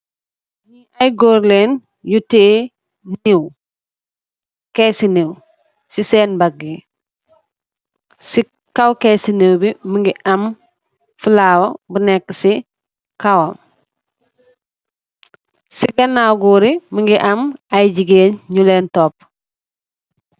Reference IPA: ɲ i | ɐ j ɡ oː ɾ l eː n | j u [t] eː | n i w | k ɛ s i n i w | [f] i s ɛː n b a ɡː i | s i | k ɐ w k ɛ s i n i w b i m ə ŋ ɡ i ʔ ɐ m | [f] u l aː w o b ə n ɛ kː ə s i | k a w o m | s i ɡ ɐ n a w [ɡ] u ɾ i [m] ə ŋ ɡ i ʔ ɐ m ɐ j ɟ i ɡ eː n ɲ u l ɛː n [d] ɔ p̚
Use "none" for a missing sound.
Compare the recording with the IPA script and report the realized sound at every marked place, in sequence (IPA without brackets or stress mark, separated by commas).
t, s, f, ɡ, m, t